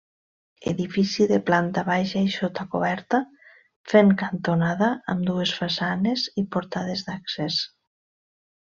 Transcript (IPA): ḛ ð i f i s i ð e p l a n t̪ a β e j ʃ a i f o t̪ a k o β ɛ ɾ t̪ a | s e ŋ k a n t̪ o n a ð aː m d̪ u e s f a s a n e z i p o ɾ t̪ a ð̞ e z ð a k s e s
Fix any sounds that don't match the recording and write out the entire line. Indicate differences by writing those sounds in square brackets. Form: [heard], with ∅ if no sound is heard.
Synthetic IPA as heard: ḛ ð i f i s i ð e p l a n t̪ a β [a] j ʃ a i [ʃ] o t̪ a k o β ɛ ɾ t̪ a | [f] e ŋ k a n t̪ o n a ð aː m d̪ u e s f a s a n e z i p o ɾ t̪ a ð̞ e z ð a k s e s